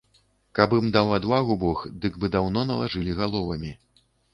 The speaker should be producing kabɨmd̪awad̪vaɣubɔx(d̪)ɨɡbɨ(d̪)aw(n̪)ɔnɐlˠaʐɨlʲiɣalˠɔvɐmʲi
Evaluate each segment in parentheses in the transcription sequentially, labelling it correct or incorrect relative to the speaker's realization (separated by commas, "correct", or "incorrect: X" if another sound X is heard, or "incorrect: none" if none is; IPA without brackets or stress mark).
correct, correct, correct